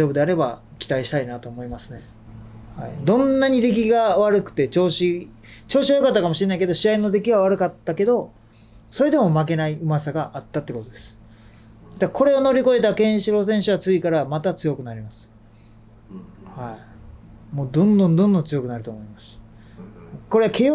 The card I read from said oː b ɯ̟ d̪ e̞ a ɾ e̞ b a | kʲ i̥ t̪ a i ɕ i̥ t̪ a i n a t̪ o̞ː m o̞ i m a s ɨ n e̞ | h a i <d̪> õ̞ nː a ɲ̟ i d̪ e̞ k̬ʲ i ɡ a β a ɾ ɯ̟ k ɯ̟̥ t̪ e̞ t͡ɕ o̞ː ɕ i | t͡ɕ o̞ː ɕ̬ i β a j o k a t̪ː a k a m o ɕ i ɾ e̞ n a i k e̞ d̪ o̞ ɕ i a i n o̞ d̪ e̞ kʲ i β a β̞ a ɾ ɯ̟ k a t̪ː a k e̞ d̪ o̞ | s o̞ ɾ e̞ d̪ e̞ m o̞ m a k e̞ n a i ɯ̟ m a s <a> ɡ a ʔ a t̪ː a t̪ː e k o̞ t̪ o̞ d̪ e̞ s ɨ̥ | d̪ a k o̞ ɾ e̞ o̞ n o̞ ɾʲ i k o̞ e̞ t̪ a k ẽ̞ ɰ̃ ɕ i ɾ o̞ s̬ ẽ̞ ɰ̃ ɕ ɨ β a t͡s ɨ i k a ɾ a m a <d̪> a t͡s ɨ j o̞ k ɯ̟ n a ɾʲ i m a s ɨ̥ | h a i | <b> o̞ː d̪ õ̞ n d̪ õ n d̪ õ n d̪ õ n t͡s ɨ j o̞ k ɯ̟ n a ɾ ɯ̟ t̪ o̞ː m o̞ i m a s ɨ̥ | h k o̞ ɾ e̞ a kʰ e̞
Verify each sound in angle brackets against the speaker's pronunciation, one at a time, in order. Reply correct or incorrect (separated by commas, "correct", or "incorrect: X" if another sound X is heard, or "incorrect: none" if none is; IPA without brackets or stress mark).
correct, correct, incorrect: t̪, incorrect: m